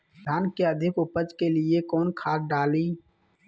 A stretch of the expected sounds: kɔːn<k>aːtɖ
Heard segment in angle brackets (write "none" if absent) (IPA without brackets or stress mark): kʰ